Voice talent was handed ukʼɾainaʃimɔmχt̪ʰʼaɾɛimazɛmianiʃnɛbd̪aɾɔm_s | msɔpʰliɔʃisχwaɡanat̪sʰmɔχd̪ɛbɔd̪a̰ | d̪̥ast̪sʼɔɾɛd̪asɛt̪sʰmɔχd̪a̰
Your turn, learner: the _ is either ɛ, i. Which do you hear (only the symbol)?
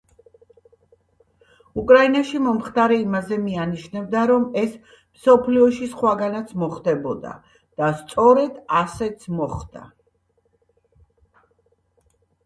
ɛ